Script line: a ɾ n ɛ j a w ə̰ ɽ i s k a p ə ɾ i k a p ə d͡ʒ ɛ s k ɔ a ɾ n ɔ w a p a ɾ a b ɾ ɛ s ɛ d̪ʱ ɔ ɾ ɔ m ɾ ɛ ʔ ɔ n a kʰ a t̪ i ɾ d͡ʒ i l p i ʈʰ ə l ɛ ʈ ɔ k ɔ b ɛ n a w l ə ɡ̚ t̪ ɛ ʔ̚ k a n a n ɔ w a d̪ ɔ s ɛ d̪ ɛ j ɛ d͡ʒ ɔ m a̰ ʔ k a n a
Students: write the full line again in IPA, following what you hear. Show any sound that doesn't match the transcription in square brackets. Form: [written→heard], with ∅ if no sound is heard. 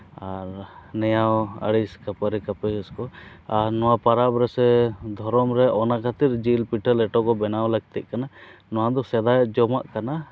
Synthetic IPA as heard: a ɾ n ɛ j a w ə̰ ɽ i s k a p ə ɾ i k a p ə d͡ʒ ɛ s k ɔ a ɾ n ɔ w a p a ɾ a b ɾ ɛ s ɛ d̪ʱ ɔ ɾ ɔ m ɾ ɛ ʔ ɔ n a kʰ a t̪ i ɾ d͡ʒ i l p i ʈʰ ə l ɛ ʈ ɔ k ɔ b ɛ n a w l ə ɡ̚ t̪ ɛ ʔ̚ k a n a n ɔ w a d̪ ɔ s ɛ d̪ [ɛ→a] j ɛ d͡ʒ ɔ m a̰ ʔ k a n a